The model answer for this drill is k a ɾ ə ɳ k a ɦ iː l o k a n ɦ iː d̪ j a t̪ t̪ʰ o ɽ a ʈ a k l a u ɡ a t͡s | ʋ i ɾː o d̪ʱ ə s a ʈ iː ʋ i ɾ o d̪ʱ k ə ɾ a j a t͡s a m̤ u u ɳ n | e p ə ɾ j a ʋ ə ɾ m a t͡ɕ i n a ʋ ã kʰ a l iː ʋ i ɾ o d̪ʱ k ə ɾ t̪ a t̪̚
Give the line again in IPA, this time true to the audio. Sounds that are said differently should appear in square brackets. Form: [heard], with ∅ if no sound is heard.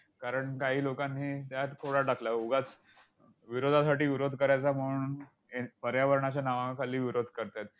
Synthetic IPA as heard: k a ɾ ə ɳ k a ɦ iː l o k a n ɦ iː [t̪] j a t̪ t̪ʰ o ɽ a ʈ a k l a u ɡ a t͡s | ʋ i [ɾ] o d̪ʱ [a] s a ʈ iː ʋ i ɾ o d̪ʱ k ə ɾ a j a t͡s a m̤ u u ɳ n | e p ə ɾ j a ʋ ə ɾ [ɳ] a t͡ɕ [a] n a ʋ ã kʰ a l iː ʋ i ɾ o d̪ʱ k ə ɾ t̪ a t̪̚